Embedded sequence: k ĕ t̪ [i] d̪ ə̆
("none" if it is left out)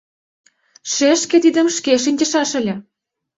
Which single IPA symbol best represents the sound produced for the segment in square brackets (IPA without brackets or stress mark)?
i